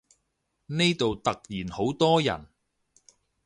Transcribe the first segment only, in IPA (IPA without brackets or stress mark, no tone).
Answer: n